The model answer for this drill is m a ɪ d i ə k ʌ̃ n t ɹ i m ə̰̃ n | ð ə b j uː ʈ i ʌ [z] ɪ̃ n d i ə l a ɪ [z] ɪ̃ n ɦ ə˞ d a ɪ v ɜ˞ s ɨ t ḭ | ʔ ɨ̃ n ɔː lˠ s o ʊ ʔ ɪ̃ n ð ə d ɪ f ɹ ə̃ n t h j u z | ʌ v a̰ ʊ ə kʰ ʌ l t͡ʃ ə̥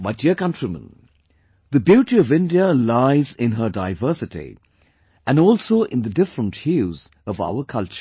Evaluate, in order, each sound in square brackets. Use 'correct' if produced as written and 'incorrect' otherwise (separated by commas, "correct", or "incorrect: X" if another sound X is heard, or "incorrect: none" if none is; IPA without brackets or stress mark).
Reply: incorrect: v, correct